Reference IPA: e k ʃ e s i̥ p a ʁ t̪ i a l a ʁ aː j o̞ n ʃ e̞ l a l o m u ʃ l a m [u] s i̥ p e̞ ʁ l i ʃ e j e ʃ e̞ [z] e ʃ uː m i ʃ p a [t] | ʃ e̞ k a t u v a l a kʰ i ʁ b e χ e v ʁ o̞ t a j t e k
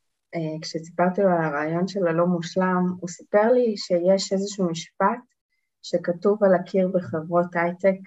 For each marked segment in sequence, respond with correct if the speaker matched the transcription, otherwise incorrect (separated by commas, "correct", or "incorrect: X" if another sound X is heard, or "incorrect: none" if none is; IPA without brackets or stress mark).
correct, correct, correct